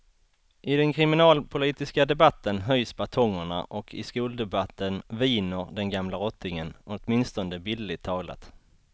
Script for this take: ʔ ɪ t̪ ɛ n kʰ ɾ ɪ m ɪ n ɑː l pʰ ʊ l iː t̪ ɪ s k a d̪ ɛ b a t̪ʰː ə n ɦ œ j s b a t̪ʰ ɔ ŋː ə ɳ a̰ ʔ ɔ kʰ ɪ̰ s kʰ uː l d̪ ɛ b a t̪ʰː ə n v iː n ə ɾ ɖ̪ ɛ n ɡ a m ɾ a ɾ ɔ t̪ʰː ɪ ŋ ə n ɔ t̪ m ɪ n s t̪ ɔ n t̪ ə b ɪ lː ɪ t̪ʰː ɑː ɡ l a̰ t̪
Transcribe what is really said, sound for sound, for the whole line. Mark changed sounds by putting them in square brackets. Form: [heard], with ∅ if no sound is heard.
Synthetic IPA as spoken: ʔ ɪ [d̪] ɛ n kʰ ɾ ɪ m ɪ n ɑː l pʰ ʊ l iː t̪ ɪ s k a d̪ ɛ b a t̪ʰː ə n ɦ œ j s b a t̪ʰ ɔ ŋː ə ɳ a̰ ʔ ɔ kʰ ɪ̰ s [k] uː l d̪ ɛ b a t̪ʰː ə n v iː n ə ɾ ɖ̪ ɛ n ɡ a m [l] a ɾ ɔ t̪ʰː ɪ ŋ ə n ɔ t̪ m ɪ n s t̪ ɔ n [d̪] ə b ɪ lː ɪ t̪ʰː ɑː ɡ l a̰ t̪